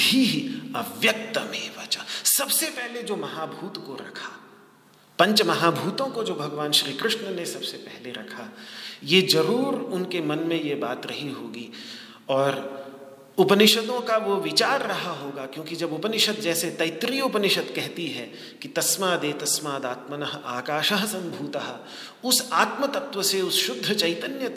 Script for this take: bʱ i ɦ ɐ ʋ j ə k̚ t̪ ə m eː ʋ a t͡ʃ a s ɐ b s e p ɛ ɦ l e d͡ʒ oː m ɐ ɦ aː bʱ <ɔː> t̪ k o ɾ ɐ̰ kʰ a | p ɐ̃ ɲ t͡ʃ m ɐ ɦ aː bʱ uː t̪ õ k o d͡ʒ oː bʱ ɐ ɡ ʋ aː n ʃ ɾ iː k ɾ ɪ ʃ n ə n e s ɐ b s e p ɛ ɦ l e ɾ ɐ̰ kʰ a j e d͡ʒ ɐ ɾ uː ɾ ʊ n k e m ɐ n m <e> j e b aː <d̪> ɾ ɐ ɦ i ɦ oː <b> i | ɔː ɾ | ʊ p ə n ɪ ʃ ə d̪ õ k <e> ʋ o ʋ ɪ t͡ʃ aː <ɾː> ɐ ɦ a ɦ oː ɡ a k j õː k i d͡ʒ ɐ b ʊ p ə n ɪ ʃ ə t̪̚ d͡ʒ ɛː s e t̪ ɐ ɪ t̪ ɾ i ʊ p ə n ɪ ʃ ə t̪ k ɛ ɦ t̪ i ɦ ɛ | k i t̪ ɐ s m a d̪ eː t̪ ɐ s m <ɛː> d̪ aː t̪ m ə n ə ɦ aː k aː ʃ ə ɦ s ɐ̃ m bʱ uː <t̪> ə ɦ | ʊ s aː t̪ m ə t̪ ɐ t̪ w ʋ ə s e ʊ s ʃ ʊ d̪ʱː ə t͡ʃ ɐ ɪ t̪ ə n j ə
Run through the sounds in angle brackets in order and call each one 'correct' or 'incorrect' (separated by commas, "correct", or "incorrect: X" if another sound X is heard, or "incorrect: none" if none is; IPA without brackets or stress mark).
incorrect: uː, incorrect: ẽ, incorrect: t̪, incorrect: ɡ, incorrect: a, correct, incorrect: aː, correct